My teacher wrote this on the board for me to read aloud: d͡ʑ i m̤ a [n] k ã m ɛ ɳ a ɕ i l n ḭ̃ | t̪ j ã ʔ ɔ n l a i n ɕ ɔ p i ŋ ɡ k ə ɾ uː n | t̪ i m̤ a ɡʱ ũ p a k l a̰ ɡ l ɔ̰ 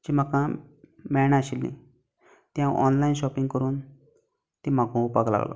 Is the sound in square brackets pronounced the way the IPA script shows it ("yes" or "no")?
no